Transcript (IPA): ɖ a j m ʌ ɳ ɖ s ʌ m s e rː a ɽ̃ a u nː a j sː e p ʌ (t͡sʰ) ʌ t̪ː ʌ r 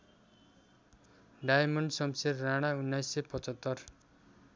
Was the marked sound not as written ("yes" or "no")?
yes